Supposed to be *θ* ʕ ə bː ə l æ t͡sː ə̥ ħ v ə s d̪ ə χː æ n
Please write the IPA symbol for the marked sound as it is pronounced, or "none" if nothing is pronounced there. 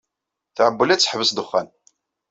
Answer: θ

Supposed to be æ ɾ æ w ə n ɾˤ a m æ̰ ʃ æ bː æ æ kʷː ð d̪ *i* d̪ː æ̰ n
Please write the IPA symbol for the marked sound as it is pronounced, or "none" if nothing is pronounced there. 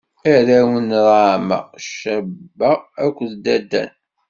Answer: æ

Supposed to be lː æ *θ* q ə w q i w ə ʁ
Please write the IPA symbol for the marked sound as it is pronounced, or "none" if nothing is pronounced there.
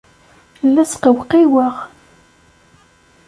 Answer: s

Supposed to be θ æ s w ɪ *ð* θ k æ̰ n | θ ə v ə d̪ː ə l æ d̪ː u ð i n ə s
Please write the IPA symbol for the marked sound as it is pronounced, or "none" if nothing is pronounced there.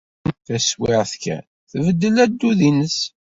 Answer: ʁ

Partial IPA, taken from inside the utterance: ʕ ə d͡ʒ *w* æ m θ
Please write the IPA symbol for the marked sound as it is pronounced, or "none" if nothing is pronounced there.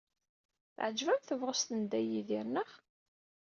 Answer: v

